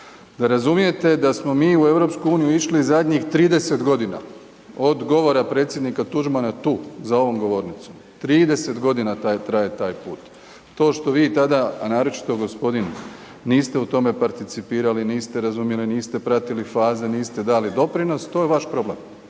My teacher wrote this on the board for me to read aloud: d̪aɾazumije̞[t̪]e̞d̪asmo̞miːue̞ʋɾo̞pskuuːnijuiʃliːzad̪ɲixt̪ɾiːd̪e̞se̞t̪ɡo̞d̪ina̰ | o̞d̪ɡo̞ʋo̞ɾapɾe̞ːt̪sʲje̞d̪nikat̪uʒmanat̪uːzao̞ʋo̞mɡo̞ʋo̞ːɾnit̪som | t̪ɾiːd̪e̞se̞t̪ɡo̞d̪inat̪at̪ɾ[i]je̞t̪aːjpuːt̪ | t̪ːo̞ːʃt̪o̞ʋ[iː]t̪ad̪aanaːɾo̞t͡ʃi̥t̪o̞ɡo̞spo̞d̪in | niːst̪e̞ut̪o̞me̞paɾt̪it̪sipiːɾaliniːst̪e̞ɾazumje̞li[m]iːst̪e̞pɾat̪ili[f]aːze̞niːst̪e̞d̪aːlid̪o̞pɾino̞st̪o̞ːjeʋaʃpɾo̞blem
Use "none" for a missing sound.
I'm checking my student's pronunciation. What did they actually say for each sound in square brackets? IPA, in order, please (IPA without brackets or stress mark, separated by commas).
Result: t̪, a, iː, n, f